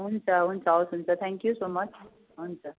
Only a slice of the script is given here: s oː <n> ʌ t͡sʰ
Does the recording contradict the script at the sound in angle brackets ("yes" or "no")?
yes